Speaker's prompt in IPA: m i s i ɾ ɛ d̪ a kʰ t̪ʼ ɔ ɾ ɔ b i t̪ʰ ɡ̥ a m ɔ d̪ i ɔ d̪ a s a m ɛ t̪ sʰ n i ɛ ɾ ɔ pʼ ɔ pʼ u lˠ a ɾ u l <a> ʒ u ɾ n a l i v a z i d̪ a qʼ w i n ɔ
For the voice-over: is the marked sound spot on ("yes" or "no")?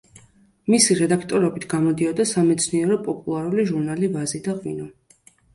no